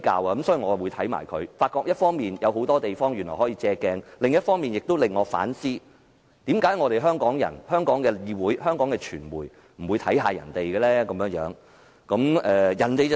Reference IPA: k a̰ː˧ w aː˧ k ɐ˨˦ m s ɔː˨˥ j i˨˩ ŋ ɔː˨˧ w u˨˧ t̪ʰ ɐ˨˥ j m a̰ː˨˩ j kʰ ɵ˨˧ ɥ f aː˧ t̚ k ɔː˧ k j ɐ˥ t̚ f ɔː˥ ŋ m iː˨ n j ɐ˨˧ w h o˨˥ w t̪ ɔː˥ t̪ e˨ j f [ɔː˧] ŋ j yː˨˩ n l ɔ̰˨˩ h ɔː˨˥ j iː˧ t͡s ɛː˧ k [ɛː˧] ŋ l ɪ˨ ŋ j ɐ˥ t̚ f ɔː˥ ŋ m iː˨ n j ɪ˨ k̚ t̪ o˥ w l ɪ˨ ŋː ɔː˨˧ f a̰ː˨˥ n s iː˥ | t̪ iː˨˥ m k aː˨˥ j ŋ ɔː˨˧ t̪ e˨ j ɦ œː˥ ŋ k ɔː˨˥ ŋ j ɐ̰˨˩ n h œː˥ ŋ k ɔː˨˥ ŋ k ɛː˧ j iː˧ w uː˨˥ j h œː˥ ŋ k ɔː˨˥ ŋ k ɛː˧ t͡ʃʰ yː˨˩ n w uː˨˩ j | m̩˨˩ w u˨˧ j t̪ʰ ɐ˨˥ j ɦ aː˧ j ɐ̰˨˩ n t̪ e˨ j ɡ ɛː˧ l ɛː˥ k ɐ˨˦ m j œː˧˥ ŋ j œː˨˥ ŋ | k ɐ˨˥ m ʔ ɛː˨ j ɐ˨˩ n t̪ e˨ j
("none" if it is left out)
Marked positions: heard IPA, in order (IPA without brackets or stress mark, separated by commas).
ɔː˥, ɛː˧